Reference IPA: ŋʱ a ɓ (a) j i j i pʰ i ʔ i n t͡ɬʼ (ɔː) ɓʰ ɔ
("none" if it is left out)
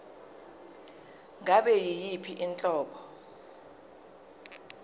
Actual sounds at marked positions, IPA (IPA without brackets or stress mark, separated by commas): ɛ, ɔː